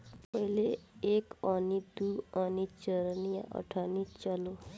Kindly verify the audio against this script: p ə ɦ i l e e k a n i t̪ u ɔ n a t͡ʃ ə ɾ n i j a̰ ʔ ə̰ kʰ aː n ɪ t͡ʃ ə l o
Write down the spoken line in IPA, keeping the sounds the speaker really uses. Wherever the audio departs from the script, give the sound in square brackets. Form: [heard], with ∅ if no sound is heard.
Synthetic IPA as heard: p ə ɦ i l e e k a n i [d̪] u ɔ n [i] t͡ʃ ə ɾ n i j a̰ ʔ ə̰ [ʈʰ] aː n [i] t͡ʃ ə l o